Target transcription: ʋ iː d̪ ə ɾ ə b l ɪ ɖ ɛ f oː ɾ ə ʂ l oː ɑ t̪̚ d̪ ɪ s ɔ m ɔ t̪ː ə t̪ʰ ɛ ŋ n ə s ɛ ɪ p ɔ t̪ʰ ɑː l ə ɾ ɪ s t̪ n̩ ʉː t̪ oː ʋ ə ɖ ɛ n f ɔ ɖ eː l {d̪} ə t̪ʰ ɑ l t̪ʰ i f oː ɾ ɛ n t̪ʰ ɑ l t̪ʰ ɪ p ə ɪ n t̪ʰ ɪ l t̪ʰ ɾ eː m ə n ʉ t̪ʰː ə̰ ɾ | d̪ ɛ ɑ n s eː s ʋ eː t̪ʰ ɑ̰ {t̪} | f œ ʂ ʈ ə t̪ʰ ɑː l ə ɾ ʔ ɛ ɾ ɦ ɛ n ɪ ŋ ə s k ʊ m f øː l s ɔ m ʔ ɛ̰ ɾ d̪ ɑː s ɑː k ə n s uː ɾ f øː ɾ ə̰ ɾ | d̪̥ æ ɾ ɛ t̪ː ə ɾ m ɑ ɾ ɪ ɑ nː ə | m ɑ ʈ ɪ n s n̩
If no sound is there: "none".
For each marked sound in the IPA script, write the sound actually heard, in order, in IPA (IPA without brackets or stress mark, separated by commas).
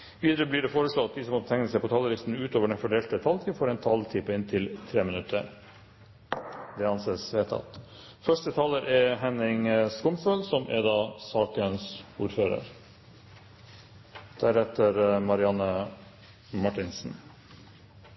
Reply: t̪, t̪